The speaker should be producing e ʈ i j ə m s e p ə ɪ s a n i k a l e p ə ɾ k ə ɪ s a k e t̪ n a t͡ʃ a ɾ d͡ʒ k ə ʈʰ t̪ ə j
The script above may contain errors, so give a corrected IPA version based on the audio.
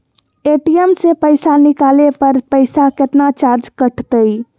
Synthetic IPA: e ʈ i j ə m s e p ə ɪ s a n i k a l e p ə ɾ p ə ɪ s a k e t̪ n a t͡ʃ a ɾ d͡ʒ k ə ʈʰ t̪ ə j

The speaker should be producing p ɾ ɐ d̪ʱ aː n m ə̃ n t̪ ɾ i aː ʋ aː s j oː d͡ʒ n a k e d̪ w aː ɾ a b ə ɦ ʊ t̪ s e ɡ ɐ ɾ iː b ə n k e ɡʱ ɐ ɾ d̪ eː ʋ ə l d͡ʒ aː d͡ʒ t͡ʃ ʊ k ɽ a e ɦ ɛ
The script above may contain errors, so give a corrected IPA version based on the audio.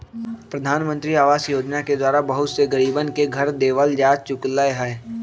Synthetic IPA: p ɾ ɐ d̪ʱ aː n m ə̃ n t̪ ɾ i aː ʋ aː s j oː d͡ʒ n a k e d̪ w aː ɾ a b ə ɦ ʊ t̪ s e ɡ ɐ ɾ iː b ə n k e ɡʱ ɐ ɾ d̪ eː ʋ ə l d͡ʒ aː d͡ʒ t͡ʃ ʊ k l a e ɦ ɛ

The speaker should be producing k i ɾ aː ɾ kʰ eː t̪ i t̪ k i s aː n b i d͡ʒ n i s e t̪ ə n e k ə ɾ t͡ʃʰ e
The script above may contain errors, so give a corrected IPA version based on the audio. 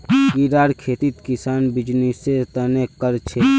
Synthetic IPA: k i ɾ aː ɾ kʰ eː t̪ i t̪ k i s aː n b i d͡ʒ n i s e t̪ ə n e k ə ɾ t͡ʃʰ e

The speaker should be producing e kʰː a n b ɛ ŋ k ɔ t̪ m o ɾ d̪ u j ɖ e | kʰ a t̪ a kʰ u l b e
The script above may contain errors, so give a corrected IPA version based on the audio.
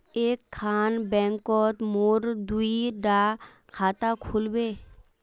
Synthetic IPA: e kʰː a n b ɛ ŋ k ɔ t̪ m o ɾ d̪ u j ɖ a | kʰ a t̪ a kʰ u l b e

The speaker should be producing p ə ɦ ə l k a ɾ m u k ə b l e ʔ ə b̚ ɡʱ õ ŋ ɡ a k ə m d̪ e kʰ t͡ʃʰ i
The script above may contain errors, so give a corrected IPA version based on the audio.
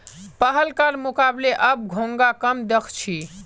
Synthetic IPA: p ə ɦ ə l k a ɾ m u k a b l e ʔ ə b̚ ɡʱ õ ŋ ɡ a k ə m d̪ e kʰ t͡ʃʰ i

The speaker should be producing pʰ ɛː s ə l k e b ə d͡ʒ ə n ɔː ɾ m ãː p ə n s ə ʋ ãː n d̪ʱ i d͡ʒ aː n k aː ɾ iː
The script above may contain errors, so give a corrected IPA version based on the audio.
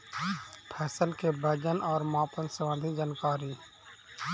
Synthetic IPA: pʰ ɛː s ə l k e b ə d͡ʒ ə n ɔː ɾ m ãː p ə n s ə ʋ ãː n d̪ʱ i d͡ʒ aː n k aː ɾ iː

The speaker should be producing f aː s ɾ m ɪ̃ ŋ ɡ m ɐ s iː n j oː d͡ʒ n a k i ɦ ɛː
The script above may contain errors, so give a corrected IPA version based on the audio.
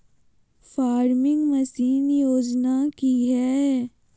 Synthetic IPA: f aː ɾ m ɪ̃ ŋ ɡ m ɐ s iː n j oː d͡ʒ n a k i ɦ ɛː

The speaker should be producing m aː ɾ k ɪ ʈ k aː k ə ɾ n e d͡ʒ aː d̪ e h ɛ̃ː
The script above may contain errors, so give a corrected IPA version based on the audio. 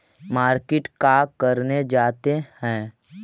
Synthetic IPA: m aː ɾ k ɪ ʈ k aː k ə ɾ n e d͡ʒ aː t̪ e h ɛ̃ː

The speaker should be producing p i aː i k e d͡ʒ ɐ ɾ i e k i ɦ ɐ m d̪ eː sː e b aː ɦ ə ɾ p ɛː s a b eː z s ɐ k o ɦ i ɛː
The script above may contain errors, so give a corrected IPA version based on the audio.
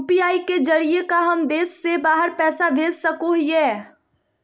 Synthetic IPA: p i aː i k e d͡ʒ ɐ ɾ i e k a ɦ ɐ m d̪ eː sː e b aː ɦ ə ɾ p ɛː s a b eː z s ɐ k o ɦ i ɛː

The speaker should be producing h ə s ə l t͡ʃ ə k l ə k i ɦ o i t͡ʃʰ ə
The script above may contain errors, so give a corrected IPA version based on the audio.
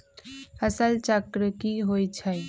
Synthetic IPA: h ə s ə l t͡ʃ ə k ɾ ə k i ɦ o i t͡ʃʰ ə

